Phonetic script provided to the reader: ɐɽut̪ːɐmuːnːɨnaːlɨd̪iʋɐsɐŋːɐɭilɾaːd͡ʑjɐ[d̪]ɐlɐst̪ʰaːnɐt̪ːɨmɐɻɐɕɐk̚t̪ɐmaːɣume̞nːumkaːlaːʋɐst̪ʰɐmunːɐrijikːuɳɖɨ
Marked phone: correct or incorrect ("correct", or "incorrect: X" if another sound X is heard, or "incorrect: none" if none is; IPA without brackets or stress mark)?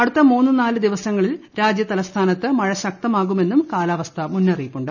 incorrect: t̪